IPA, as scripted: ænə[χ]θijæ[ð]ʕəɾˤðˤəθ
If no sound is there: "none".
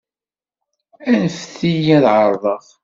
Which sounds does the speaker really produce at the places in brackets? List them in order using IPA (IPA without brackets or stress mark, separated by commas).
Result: f, ð